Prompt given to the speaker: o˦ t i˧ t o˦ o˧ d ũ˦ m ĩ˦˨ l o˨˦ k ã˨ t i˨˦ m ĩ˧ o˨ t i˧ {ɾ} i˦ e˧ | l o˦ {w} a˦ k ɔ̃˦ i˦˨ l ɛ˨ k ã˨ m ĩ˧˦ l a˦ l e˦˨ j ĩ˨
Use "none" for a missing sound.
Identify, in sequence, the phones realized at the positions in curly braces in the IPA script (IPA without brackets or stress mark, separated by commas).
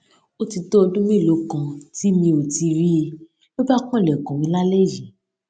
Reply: ɾ, b